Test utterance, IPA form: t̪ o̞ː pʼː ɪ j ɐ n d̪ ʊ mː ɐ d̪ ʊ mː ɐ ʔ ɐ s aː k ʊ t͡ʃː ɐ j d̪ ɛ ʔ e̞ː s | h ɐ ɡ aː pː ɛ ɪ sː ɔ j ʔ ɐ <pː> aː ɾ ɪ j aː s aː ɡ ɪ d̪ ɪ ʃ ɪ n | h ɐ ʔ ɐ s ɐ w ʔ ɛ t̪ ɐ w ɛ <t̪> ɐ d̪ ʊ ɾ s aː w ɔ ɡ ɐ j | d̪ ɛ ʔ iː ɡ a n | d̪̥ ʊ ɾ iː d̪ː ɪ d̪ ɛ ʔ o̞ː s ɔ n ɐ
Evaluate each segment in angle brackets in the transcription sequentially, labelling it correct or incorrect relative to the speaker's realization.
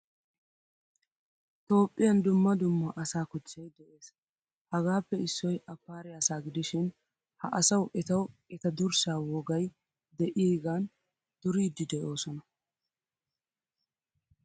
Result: correct, correct

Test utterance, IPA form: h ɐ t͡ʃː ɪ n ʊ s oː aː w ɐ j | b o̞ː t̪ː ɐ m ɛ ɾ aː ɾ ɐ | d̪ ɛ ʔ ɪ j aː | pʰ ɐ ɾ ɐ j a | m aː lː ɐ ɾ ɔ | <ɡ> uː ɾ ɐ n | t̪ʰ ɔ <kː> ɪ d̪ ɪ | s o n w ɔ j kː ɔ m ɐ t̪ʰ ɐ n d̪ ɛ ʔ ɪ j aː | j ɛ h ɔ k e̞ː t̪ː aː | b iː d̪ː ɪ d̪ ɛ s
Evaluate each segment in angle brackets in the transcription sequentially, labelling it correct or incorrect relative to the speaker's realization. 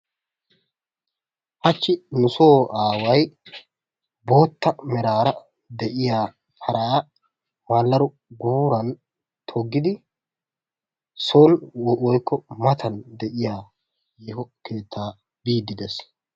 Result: correct, incorrect: ɡː

